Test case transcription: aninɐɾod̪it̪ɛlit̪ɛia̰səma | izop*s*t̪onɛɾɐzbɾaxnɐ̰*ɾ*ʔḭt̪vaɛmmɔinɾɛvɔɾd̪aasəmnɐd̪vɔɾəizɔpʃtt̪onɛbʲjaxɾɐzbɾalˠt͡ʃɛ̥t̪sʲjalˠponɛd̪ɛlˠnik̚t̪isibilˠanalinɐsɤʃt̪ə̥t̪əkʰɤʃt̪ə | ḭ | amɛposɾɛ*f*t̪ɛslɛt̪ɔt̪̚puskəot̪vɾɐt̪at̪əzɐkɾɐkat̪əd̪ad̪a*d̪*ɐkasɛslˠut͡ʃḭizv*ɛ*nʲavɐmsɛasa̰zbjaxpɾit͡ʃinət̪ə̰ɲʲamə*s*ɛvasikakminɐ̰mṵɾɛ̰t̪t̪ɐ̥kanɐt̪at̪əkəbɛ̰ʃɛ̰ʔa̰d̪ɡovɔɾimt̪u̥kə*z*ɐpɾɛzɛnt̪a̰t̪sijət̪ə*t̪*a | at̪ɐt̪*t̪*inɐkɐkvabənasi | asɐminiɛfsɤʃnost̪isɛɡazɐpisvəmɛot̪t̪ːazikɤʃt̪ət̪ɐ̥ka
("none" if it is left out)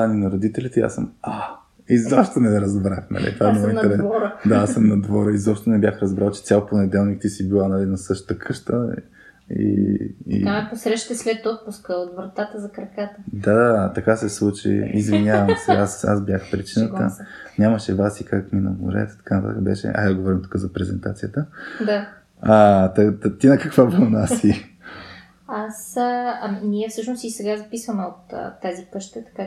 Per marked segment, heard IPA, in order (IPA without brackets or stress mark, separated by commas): ʃ, l, ʃ, t̪, i, ʃ, z, d̪, t̪